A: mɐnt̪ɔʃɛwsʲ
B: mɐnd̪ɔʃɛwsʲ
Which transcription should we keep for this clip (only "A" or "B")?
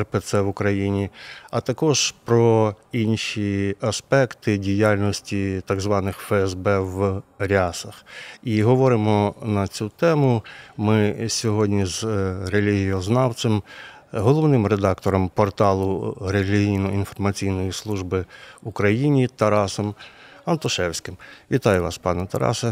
A